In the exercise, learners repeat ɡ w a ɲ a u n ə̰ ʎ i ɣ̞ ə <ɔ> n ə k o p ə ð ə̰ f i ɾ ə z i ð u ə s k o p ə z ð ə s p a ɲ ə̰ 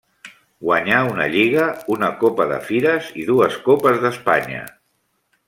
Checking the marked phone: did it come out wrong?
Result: yes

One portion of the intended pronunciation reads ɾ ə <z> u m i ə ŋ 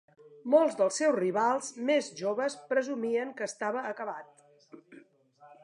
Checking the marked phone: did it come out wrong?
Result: no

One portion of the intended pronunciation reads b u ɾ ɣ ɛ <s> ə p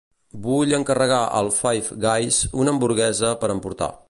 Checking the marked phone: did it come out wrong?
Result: yes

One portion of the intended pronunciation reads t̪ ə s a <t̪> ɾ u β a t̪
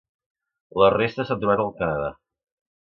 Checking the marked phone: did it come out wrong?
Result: no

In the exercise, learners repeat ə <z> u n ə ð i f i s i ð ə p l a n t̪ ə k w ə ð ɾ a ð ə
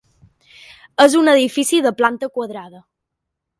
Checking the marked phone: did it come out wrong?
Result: no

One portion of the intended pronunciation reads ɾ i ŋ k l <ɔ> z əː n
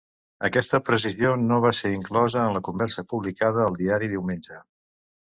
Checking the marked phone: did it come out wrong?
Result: no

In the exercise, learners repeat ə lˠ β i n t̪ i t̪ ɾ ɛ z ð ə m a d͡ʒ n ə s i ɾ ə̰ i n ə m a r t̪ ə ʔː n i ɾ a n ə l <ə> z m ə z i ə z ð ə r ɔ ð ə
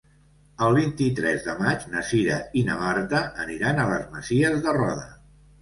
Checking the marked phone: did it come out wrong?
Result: no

